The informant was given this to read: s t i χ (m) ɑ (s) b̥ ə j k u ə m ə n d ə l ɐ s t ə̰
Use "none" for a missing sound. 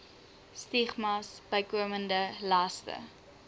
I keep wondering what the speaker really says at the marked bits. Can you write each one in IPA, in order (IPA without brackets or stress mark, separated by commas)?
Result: m, s